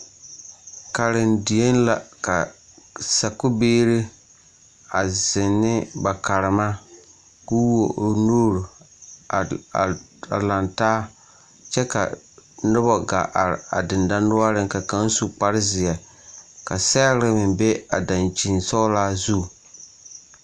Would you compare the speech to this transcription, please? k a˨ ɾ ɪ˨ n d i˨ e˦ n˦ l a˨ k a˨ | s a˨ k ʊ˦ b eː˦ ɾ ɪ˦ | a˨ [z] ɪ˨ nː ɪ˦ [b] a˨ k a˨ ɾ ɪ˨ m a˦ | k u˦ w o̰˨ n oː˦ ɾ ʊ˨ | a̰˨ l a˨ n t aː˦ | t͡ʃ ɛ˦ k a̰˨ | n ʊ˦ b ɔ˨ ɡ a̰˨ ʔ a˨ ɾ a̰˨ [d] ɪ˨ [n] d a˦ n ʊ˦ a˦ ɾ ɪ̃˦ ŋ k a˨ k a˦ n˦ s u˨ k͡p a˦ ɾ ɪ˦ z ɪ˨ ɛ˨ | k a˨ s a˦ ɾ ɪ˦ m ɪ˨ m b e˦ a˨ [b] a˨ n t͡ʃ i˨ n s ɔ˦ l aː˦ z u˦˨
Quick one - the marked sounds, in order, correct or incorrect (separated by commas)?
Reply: correct, correct, correct, correct, incorrect